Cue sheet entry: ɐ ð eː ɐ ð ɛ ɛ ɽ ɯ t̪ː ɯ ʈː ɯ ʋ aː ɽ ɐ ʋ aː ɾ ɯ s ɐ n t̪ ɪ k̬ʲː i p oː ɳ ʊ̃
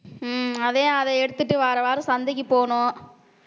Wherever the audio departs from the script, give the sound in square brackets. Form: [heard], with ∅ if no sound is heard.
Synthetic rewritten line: ɐ ð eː ɐ ð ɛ ɛ ɽ ɯ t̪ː ɯ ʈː ɯ ʋ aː [ɾ] ɐ ʋ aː ɾ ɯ s ɐ n [d̪] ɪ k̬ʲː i p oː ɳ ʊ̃

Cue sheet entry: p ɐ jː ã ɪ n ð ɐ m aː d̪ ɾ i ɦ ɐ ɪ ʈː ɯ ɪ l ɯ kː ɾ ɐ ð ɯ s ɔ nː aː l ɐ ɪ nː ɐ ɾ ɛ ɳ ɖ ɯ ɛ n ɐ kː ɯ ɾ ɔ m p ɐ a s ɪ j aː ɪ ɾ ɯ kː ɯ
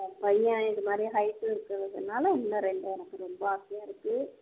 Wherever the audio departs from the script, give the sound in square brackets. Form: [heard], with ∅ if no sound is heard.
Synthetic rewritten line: p ɐ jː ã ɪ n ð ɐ m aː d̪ ɾ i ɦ ɐ ɪ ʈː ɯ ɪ [ɾ] ɯ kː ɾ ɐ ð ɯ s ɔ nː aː l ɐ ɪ nː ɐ ɾ ɛ ɳ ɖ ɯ ɛ n ɐ kː ɯ ɾ ɔ m [b] ɐ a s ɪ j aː ɪ ɾ ɯ kː ɯ

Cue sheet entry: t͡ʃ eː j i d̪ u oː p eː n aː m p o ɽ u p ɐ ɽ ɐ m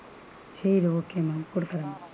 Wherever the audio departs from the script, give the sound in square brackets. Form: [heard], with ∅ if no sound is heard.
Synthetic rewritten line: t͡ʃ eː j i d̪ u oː [k] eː [m] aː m [k] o ɽ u [k] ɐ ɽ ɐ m

